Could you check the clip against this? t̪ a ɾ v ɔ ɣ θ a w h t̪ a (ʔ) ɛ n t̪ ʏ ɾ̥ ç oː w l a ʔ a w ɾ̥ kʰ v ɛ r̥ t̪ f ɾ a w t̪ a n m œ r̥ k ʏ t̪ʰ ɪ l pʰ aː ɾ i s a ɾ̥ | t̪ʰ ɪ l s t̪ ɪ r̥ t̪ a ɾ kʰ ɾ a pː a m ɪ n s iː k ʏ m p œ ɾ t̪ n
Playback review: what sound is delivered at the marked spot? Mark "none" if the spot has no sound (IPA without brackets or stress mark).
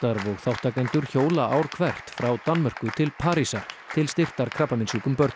k